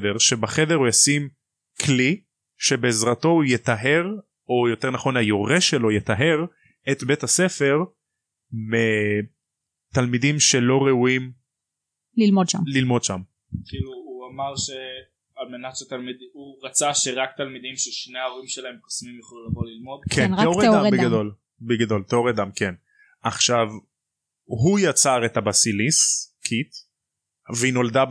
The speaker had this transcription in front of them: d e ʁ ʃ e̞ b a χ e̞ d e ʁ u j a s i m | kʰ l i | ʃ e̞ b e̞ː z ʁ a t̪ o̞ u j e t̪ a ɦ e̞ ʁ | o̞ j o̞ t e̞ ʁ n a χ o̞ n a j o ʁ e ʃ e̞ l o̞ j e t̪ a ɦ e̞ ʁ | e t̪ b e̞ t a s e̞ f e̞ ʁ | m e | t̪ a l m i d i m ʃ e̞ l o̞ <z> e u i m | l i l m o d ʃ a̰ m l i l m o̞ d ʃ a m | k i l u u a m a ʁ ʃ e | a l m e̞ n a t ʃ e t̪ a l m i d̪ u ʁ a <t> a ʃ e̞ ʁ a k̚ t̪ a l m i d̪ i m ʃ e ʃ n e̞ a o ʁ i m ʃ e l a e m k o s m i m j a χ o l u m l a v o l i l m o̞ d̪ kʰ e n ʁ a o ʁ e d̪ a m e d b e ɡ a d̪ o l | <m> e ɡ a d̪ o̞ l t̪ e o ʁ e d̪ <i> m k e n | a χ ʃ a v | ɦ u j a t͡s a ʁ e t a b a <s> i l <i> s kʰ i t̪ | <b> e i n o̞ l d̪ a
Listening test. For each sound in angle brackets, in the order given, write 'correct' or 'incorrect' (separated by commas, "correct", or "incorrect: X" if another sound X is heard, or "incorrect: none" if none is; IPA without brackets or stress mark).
incorrect: ʁ, incorrect: t͡s, incorrect: b, incorrect: a, correct, correct, incorrect: v